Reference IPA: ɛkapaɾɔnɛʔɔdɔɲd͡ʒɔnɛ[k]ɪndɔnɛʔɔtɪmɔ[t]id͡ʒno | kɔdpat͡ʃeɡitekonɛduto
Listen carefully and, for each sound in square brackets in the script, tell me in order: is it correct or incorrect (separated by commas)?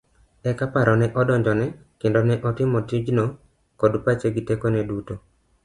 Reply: correct, correct